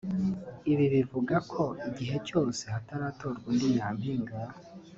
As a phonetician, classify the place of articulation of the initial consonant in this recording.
labial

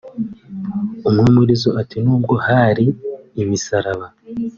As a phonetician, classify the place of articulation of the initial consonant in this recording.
labial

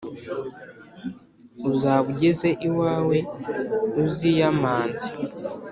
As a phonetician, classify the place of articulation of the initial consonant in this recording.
alveolar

